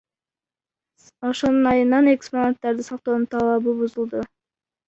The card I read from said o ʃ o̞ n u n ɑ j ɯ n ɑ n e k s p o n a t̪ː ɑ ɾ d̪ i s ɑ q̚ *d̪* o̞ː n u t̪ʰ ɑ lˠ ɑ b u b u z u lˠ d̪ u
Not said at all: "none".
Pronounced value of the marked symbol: t̪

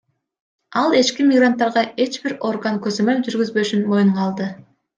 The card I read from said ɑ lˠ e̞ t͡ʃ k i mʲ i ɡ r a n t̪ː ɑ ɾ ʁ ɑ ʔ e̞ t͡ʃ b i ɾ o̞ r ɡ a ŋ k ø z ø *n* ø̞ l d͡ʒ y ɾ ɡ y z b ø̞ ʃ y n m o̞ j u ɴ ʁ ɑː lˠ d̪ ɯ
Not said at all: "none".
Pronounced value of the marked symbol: m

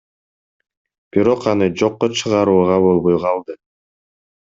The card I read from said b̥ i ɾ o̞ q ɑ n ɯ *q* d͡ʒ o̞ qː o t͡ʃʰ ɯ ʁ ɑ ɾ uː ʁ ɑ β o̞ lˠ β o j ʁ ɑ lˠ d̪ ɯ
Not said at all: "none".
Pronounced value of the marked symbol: none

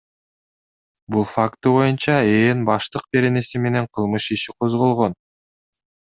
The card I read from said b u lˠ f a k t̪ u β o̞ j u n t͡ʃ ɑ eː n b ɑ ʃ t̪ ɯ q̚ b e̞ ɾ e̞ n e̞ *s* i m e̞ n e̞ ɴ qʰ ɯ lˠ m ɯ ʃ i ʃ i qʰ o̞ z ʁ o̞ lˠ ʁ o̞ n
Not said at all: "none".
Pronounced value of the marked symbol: s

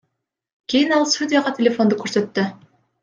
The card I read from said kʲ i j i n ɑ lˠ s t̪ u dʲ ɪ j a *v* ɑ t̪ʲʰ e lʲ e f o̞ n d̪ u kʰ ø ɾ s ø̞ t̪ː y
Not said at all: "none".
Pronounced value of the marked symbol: ʁ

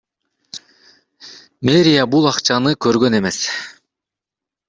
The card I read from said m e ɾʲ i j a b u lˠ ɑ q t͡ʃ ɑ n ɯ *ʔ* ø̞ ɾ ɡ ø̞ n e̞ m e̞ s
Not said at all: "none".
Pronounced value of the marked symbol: k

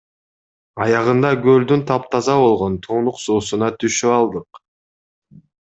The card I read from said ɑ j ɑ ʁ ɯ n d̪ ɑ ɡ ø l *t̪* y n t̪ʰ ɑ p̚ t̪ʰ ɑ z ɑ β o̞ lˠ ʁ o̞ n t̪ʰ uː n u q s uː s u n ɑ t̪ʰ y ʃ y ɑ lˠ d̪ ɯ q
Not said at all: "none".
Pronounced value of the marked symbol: d̪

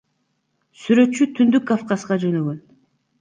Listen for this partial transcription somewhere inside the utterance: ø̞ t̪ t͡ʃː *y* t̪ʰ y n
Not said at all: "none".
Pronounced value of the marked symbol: y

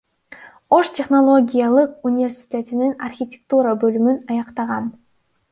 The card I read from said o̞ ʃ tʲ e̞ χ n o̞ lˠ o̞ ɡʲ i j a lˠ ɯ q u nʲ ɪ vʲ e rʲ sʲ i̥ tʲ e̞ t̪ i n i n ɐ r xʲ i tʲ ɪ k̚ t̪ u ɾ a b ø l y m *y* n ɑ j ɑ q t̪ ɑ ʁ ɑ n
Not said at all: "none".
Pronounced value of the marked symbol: y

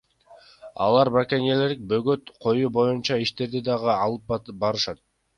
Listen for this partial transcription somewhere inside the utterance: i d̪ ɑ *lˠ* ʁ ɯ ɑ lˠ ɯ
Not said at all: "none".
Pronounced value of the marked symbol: none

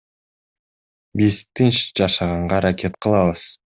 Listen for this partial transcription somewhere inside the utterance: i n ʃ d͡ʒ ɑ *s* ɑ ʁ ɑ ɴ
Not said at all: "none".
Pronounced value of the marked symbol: ʃ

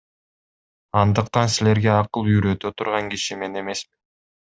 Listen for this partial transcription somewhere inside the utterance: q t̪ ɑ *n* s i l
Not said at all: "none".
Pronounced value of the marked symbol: n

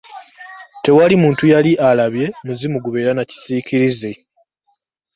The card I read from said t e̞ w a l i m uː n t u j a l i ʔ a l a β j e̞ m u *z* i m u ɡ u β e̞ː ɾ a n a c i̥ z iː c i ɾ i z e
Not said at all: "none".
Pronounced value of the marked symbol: z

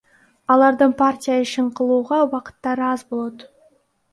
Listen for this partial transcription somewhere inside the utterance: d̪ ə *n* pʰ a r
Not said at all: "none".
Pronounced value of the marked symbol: ɴ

